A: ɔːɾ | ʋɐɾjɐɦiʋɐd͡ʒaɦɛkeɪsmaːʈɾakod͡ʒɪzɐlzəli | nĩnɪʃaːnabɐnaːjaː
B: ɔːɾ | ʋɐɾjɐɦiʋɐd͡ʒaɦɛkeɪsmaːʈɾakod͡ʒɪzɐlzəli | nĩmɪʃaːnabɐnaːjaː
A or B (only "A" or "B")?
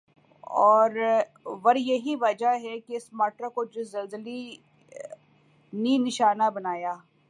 A